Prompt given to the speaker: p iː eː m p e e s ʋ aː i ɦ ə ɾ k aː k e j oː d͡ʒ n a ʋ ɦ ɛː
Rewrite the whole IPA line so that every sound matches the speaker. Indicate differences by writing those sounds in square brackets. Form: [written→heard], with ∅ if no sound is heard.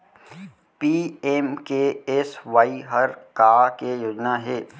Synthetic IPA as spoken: p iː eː m [p→k] e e s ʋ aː i ɦ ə ɾ k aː k e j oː d͡ʒ n a [ʋ→∅] ɦ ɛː

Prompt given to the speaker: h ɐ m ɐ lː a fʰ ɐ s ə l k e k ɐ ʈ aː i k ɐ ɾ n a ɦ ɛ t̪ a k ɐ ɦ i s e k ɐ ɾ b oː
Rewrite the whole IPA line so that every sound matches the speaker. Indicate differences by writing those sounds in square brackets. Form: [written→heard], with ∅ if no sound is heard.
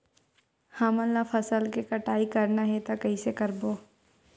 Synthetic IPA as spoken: h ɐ m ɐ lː a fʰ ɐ s ə l k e k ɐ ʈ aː i k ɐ ɾ n a ɦ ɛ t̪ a k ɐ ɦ i s e k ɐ ɾ b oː

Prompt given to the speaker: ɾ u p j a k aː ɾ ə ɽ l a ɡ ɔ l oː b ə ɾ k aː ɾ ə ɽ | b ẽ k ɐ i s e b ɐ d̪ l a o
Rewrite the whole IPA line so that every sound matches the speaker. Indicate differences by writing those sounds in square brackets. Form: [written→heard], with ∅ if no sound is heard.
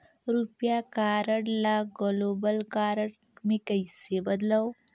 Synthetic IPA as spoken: ɾ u p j a k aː ɾ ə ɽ l a ɡ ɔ l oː b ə [ɾ→l] k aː ɾ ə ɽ | [b→m] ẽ k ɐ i s e b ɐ d̪ l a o

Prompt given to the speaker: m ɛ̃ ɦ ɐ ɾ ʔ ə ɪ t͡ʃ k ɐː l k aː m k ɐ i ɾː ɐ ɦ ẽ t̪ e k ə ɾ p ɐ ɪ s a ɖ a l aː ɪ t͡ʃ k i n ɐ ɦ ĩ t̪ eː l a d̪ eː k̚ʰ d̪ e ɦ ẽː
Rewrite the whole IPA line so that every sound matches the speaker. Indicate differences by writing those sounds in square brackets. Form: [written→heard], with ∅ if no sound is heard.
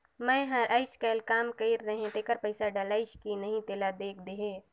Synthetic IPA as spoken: m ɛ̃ ɦ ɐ ɾ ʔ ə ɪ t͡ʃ k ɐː l k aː m k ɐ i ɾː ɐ ɦ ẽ t̪ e k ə ɾ p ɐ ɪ s a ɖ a l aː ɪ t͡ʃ k i n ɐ ɦ ĩ t̪ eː l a d̪ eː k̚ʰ d̪ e ɦ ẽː

